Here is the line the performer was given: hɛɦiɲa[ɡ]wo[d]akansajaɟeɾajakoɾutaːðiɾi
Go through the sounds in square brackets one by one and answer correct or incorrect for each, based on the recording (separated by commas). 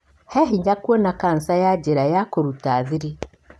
incorrect, incorrect